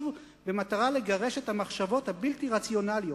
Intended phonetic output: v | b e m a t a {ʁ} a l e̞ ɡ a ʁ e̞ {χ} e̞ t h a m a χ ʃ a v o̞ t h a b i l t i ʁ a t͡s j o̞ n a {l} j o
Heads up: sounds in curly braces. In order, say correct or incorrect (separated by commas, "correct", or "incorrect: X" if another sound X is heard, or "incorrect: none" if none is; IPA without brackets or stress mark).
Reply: correct, incorrect: ʃ, correct